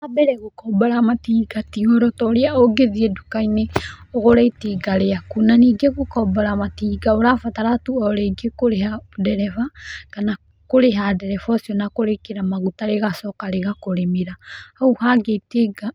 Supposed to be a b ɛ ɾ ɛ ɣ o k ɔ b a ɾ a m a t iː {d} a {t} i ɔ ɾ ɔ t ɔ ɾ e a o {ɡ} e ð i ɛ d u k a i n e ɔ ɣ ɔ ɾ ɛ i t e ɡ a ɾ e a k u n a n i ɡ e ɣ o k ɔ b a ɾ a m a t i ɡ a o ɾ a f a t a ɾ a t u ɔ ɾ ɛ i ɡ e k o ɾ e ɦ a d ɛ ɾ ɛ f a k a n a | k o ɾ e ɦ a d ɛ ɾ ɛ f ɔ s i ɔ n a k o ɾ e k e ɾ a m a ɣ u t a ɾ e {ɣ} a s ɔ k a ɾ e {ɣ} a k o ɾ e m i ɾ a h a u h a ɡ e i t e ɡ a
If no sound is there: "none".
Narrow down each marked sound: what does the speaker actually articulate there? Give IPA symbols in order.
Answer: ɡ, t, ɡ, ɣ, ɣ

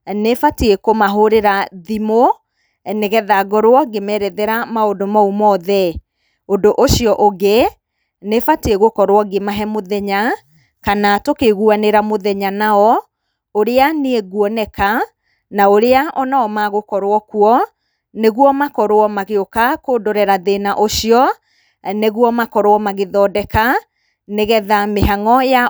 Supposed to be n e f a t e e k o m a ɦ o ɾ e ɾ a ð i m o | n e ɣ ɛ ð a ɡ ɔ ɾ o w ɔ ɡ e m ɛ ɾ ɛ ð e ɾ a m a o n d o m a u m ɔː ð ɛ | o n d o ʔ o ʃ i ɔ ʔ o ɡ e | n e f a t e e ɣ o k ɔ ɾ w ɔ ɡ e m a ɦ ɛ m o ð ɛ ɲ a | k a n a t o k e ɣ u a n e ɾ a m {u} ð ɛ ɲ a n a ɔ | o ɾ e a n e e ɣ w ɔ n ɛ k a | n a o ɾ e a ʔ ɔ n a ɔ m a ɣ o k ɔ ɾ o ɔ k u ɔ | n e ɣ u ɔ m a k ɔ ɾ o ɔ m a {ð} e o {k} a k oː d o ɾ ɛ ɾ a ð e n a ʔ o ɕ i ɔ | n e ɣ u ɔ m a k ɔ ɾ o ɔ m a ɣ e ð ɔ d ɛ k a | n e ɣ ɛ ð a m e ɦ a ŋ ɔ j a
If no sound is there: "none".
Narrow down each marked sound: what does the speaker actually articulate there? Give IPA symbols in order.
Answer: o, ɣ, k

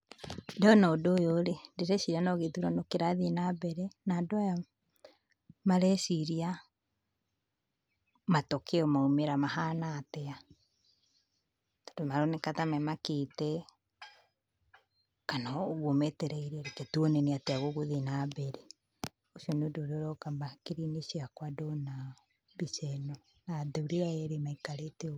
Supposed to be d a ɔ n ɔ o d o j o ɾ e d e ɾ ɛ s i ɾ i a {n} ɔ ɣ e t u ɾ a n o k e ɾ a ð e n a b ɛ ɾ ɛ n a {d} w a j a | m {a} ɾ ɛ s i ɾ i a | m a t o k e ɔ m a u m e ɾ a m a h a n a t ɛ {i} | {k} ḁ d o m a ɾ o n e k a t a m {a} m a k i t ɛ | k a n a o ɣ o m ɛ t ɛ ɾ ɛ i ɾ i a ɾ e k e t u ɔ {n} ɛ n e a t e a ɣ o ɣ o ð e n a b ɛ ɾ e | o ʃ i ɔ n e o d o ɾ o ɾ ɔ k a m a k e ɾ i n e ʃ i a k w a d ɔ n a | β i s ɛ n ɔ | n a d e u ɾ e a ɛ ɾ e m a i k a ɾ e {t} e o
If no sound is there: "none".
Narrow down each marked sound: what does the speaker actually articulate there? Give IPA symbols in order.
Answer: n, d, a, a, t, ɛ, n, t

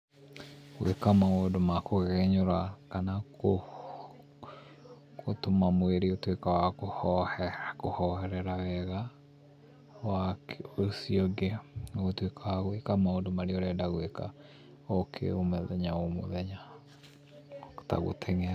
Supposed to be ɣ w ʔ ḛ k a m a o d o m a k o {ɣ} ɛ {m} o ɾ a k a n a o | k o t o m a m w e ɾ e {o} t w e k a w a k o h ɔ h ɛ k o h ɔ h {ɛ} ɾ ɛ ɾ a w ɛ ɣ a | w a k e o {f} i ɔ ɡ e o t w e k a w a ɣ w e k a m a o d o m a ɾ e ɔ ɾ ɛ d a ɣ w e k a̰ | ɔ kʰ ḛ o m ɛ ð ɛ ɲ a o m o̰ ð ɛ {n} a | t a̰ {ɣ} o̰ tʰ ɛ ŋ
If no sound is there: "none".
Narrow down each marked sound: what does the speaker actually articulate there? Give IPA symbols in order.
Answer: ɣ, ɲ, o, ɛ, s, ɲ, ɣ

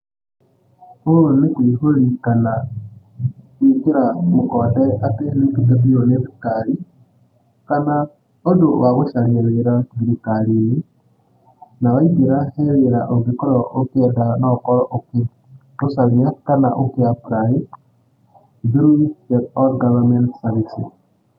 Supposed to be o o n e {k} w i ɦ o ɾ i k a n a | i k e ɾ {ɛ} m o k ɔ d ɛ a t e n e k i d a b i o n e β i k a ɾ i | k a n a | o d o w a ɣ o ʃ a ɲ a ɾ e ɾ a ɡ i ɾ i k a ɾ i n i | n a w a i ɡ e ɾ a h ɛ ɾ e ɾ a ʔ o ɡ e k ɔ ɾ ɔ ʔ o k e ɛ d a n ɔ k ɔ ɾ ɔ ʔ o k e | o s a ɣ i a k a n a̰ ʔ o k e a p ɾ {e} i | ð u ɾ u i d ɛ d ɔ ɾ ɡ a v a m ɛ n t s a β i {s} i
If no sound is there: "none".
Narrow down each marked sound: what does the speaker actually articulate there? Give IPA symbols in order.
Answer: k, a, a, s

